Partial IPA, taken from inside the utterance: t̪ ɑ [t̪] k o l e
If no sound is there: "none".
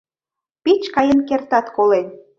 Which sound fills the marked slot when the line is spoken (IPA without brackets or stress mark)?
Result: t̪